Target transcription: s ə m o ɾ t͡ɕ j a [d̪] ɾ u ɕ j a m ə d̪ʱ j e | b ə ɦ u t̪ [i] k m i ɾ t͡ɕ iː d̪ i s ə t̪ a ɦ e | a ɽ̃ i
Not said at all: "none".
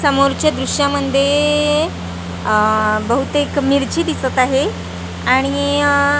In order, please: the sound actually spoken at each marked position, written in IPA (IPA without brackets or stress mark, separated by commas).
d̪, e